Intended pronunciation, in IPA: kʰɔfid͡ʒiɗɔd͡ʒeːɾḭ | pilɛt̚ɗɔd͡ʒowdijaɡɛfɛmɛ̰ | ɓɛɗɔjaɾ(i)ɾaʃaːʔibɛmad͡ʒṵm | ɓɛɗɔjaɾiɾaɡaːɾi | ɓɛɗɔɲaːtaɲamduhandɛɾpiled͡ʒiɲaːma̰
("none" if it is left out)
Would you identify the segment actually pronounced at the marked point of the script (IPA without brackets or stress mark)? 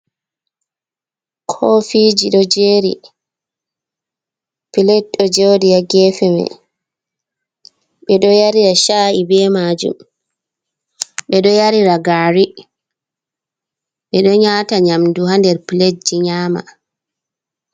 i